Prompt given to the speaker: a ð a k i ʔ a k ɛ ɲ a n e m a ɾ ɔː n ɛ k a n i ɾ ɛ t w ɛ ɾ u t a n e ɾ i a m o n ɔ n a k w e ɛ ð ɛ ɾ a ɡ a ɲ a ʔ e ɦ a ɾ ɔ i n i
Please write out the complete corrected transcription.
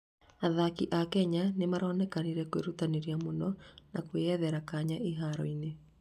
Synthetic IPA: a ð a k i ʔ a k ɛ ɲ a n e m a ɾ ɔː n ɛ k a n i ɾ ɛ k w e ɾ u t a n e ɾ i a m o n ɔ n a k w e ɛ ð ɛ ɾ a k a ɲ a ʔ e ɦ a ɾ ɔ i n e